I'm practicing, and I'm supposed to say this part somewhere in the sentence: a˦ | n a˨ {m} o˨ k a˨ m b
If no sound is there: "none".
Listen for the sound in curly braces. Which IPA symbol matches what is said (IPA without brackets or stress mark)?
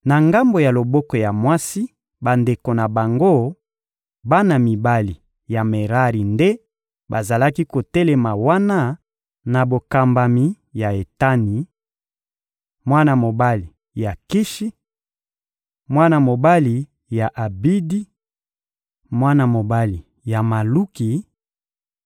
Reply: b